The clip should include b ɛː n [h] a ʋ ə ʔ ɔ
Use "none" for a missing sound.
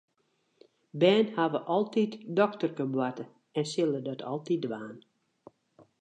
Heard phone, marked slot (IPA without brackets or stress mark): h